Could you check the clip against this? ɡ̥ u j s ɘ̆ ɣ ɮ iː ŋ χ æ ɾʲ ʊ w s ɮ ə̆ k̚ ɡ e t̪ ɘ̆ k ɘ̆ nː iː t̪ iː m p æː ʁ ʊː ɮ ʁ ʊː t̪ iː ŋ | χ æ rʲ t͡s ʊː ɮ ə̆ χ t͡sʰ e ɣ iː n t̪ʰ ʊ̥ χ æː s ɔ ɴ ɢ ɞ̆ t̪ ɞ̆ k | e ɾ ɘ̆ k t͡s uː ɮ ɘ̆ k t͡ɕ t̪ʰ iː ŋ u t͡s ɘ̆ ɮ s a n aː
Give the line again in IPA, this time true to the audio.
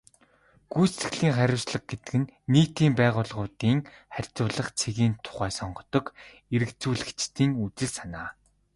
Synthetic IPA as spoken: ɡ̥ u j s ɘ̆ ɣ ɮ iː ŋ χ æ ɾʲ ʊ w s ɮ ə̆ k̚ ɡ e t̪ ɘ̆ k ɘ̆ nː iː t̪ iː m p æː ʁ ʊː ɮ ʁ ʊː t̪ iː ŋ | χ æ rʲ t͡s ʊː ɮ ə̆ χ t͡sʰ e ɣ iː n t̪ʰ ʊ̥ χ æː s ɔ ɴ ɢ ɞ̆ t̪ ɞ̆ k | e ɾ ɘ̆ k t͡s uː ɮ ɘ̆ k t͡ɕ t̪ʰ iː ŋ u t͡s ɘ̆ ɮ s a n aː